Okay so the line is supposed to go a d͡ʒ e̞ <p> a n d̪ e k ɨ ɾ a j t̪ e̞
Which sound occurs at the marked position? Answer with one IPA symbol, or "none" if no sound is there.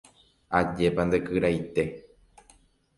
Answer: p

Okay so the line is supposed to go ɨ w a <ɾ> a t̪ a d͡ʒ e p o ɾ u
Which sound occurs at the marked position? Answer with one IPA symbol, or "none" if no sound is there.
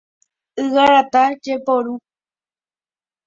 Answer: ɾ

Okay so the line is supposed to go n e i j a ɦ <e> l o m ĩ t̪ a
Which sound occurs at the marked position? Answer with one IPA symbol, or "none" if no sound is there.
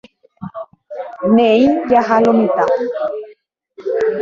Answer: a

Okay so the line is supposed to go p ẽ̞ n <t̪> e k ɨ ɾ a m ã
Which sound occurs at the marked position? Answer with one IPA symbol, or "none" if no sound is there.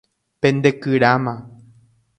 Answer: d̪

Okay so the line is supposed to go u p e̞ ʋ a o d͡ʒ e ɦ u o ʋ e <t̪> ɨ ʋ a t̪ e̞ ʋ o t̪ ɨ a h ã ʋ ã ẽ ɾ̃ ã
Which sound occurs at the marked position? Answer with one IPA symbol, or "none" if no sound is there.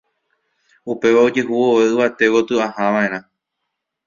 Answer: none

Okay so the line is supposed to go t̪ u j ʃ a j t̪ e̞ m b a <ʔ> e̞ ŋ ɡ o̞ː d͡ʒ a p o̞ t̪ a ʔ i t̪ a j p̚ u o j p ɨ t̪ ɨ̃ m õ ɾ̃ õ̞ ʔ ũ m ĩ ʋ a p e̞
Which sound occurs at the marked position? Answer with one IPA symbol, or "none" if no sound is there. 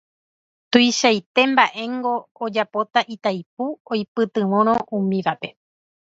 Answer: ʔ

